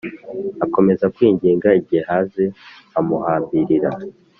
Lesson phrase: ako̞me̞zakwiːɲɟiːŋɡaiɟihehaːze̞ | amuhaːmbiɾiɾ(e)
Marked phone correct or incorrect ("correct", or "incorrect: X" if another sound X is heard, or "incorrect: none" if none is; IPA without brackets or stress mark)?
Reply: incorrect: a